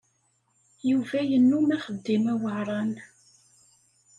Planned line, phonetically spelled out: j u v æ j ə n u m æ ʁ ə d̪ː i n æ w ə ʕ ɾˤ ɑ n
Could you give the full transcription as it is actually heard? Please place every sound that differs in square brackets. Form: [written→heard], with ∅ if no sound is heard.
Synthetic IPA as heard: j u v æ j ə [n→nː] u m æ [ʁ→χ] ə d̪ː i [n→m] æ w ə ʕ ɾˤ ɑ n